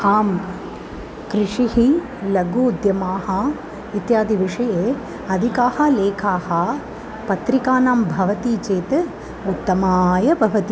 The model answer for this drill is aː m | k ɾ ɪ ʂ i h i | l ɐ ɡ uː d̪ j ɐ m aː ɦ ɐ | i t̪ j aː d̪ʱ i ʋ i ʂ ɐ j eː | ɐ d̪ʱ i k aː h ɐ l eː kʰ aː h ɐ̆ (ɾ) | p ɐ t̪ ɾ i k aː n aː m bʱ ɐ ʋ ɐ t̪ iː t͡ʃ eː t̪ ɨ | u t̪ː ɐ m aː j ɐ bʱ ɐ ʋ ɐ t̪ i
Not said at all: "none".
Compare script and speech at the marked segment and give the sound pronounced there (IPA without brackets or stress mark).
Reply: none